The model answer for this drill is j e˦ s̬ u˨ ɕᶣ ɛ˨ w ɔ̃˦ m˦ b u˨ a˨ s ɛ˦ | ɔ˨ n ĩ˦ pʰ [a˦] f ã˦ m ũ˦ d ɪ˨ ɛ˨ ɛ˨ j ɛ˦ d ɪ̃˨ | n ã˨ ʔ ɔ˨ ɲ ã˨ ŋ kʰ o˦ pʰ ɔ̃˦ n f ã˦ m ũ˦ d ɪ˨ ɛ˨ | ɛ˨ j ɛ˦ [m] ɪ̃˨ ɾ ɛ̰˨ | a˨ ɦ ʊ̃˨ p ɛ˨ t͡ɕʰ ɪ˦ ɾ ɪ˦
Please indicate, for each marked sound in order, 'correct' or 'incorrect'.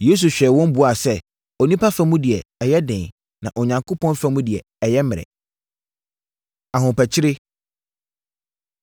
correct, correct

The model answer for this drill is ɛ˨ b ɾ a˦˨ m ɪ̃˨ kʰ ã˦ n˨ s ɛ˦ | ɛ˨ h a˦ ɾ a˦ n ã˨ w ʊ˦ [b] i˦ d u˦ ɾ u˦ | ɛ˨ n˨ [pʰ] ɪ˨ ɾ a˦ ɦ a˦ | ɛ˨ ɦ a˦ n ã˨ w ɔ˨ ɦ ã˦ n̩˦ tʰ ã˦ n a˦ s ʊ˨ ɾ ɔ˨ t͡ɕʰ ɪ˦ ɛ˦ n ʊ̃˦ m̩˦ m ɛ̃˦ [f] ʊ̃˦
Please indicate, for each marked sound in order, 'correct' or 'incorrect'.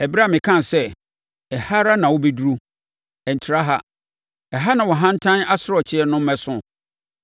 correct, incorrect: tʰ, incorrect: s

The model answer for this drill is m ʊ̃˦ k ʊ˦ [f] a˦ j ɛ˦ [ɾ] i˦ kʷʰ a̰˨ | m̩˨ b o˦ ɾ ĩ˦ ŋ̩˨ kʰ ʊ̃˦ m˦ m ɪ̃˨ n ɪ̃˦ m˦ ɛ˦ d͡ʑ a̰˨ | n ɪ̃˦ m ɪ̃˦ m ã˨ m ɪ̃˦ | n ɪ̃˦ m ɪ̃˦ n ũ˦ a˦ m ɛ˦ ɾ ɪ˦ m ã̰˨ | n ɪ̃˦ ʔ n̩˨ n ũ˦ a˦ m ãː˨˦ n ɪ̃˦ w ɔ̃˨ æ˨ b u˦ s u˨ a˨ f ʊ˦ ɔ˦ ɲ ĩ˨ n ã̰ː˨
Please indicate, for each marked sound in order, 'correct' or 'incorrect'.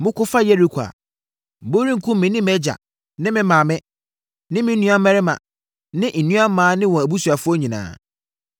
correct, correct

